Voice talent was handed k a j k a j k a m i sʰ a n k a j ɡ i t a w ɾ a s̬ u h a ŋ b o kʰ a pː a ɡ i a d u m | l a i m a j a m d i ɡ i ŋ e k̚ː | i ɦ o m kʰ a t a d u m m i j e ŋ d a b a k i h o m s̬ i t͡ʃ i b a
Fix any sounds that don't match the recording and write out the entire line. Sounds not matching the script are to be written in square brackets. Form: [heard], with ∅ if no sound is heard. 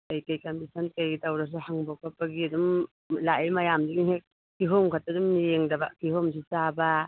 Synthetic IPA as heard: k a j k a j k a m i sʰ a n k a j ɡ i t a w ɾ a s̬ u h a ŋ b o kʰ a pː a ɡ i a d u m | l a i m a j a m d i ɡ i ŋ e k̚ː | i ɦ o m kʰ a t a d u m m i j e ŋ d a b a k i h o m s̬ i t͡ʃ [a] b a

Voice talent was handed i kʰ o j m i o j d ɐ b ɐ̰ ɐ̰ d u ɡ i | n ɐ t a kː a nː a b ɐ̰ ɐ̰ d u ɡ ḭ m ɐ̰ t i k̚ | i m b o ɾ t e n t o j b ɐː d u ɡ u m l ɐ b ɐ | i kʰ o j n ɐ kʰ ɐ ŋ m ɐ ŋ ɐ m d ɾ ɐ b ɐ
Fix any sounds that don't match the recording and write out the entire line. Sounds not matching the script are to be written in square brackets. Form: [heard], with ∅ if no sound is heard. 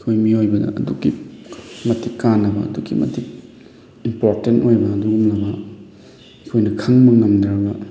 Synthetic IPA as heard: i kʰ o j m i o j [b] ɐ [d] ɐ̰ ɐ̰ d u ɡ i | [m] ɐ t [i] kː a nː [ɐ] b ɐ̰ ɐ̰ d u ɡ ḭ m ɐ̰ t i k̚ | i m [p] o ɾ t e n t o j b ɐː d u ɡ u m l ɐ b ɐ | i kʰ o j n ɐ kʰ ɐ ŋ m ɐ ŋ ɐ m d ɾ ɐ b ɐ

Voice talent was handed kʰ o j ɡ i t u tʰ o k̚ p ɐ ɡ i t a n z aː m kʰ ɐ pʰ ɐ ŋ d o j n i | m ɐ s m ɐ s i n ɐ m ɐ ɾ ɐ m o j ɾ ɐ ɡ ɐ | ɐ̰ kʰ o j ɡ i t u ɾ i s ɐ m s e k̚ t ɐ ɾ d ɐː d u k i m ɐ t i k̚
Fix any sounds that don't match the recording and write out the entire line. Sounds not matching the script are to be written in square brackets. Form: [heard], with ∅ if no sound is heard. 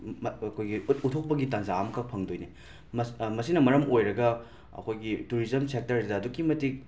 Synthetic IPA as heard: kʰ o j ɡ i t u tʰ o k̚ p ɐ ɡ i t a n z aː m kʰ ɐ pʰ ɐ ŋ d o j n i | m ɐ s m ɐ s i n ɐ m ɐ ɾ ɐ m o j ɾ ɐ ɡ ɐ | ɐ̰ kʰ o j ɡ i t u ɾ i [z] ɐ m s e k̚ t ɐ ɾ d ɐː d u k i m ɐ t i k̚

